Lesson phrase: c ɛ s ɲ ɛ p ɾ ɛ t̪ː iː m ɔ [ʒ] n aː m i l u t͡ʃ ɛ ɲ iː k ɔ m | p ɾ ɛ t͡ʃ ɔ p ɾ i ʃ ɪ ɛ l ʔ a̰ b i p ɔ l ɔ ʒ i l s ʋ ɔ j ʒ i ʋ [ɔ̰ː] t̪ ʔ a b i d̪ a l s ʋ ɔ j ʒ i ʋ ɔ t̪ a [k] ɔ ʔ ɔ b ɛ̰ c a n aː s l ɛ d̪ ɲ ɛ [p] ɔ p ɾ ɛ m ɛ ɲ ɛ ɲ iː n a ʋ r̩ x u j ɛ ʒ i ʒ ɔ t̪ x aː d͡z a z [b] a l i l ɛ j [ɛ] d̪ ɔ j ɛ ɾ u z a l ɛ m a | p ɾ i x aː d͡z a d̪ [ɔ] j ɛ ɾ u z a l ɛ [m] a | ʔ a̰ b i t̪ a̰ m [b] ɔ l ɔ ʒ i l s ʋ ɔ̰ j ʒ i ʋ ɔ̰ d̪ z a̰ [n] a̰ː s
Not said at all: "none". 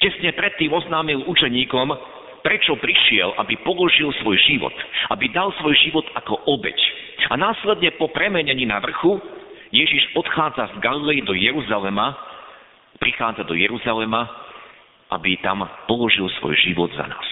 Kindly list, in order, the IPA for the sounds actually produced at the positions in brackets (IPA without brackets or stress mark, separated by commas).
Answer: z, ɔ̰, k, p, ɡ, i, ɔ, m, p, n